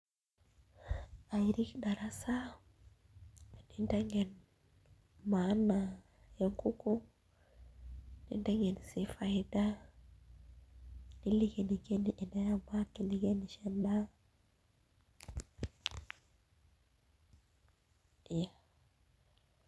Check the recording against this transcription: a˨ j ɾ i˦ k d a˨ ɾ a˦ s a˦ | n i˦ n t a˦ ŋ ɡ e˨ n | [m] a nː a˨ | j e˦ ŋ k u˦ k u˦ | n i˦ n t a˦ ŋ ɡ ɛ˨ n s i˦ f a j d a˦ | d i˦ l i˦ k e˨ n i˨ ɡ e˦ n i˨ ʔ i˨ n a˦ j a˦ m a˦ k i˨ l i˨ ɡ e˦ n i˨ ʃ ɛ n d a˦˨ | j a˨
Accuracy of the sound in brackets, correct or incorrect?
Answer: correct